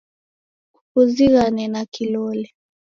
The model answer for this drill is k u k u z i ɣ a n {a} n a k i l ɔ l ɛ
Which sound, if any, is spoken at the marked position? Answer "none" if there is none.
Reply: ɛ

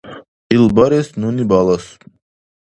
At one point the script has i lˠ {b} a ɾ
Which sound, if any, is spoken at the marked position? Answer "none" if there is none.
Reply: b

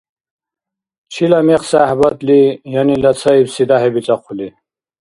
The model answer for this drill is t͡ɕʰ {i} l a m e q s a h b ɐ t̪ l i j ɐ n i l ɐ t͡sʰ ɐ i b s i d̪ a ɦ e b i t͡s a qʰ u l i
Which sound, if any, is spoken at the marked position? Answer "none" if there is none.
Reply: i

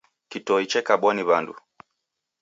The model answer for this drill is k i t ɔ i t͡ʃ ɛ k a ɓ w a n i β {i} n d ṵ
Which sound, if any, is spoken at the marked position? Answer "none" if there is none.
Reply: a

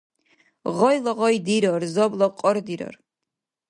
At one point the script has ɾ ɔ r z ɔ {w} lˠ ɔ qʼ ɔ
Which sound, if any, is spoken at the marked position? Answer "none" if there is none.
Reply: b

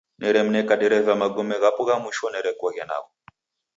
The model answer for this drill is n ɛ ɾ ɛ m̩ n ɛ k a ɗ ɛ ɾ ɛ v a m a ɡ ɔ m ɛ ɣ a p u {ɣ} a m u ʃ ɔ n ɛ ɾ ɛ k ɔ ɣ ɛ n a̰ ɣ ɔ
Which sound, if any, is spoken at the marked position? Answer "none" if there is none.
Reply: ɣ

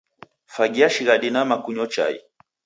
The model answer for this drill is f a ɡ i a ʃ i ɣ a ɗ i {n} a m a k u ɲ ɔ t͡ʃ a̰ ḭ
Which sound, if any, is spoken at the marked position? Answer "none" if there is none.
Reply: n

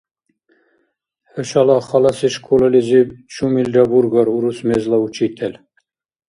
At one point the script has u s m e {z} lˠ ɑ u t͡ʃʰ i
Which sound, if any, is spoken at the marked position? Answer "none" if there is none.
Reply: z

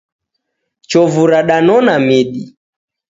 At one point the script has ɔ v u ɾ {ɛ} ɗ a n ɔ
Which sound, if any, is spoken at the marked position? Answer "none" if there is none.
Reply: a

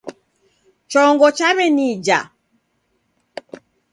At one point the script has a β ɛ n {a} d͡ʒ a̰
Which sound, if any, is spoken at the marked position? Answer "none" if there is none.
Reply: i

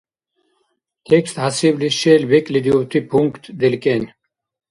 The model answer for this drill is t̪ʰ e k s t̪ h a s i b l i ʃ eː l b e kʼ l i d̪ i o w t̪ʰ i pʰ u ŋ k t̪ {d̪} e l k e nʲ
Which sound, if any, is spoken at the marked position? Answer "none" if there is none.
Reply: d̪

